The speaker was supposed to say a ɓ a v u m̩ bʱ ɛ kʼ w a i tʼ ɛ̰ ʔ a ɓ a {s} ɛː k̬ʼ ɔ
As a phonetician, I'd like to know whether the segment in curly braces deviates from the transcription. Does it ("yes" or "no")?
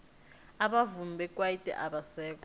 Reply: no